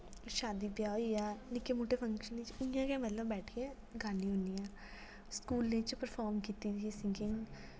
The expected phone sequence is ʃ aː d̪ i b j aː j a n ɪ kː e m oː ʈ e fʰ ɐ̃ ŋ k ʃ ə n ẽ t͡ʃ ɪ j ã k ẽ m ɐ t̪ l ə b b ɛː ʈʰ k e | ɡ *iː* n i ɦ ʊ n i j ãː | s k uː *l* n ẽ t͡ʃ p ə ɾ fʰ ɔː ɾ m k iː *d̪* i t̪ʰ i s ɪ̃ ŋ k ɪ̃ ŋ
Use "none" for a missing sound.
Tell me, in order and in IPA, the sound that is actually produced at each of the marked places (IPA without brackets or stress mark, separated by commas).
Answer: aː, l, t̪